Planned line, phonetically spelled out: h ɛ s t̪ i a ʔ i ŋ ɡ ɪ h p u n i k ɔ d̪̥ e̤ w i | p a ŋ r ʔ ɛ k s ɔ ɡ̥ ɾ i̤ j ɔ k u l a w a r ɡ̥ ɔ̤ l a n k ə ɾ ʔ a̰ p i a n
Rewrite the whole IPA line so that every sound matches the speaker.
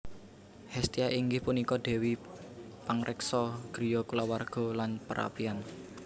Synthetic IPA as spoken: h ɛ s t̪ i a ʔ i ŋ ɡ ɪ h p u n i k ɔ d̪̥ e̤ w i | p a ŋ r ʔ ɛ k s ɔ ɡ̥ ɾ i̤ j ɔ k u l a w a r ɡ̥ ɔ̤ l a n p ə ɾ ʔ a̰ p i a n